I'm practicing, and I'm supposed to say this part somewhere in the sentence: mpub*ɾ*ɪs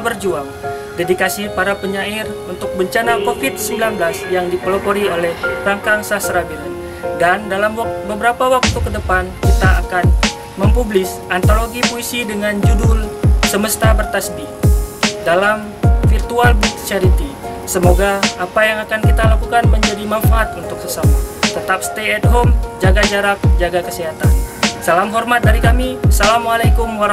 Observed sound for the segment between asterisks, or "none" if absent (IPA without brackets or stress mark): l